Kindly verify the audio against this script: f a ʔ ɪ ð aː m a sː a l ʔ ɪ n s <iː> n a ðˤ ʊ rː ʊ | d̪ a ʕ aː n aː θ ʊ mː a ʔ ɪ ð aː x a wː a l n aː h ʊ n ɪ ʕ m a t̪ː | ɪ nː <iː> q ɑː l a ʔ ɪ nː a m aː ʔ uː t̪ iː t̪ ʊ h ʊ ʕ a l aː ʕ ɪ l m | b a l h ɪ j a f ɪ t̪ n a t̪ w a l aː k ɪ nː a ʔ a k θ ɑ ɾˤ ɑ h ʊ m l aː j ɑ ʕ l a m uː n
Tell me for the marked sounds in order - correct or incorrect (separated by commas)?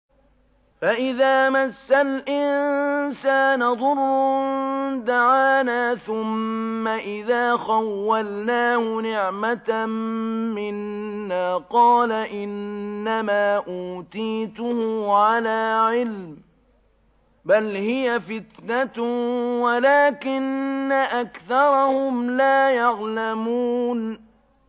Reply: incorrect, incorrect